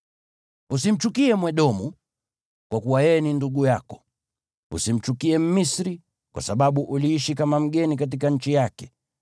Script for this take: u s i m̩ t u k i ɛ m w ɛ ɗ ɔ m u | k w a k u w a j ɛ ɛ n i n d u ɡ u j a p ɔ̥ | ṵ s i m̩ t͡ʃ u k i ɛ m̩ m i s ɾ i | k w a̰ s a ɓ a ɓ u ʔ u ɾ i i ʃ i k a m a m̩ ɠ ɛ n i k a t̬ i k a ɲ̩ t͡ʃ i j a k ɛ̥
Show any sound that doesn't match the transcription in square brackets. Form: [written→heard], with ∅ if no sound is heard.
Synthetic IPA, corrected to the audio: u s i m̩ [t→t͡ʃ] u k i ɛ m w ɛ ɗ ɔ m u | k w a k u w a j ɛ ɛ n i n d u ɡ u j a [p→k] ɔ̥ | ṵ s i m̩ t͡ʃ u k i ɛ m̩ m i s ɾ i | k w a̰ s a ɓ a ɓ u ʔ u [ɾ→l] i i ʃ i k a m a m̩ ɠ ɛ n i k a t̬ i k a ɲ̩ t͡ʃ i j a k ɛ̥